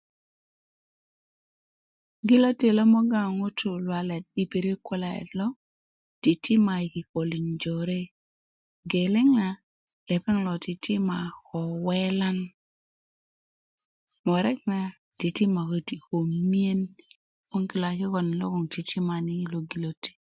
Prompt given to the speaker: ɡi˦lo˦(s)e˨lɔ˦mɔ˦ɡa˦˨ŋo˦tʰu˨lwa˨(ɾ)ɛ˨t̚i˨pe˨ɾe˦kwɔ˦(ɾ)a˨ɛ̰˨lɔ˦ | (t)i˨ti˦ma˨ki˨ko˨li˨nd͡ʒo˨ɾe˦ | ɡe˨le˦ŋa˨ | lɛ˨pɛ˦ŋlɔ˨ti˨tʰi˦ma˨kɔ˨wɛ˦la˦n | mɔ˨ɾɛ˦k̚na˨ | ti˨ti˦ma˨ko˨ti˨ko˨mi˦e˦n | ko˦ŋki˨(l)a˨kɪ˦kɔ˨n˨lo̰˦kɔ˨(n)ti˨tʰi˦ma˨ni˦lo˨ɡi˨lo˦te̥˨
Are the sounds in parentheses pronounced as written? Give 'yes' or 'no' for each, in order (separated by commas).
no, no, no, yes, yes, no